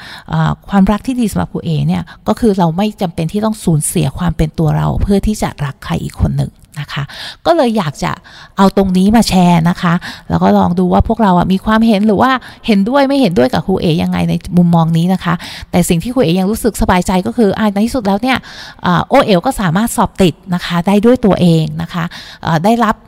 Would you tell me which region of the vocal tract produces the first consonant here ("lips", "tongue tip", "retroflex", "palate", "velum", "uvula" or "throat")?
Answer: throat